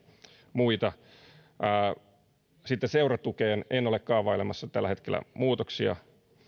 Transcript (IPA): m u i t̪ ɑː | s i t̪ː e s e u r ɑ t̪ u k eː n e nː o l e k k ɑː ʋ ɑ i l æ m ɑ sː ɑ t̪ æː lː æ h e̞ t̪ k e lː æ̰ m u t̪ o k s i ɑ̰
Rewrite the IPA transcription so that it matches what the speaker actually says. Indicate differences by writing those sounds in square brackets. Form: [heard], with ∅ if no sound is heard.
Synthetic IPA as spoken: m u i t̪ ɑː | s i t̪ː e s e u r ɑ t̪ u k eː n e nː o l e k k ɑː ʋ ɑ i l [e] m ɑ sː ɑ t̪ [æ] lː æ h e̞ t̪ k e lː æ̰ m [uː] t̪ o k s i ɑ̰

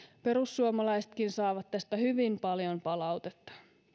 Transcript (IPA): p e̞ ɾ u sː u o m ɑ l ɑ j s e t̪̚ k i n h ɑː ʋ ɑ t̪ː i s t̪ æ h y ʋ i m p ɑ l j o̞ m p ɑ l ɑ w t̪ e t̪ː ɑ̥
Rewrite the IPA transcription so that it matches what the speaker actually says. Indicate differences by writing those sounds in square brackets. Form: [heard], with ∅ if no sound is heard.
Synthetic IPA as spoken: p e̞ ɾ u sː u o m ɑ l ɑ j s e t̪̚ k i n [s] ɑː ʋ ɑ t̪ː [æ] s t̪ æ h y ʋ i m p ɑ l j o̞ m p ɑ l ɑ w t̪ e t̪ː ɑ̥

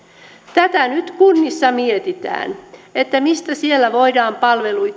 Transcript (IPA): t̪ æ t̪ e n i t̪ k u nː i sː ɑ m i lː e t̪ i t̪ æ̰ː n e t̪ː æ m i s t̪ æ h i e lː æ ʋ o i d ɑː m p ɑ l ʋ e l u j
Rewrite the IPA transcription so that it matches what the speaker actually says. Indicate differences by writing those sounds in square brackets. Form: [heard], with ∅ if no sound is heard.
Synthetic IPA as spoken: t̪ æ t̪ [æ] n [y] t̪ k u nː i sː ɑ m i [∅] e t̪ i t̪ æ̰ː n e t̪ː æ m i s t̪ æ [s] i e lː æ ʋ o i d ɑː m p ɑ l ʋ e l u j

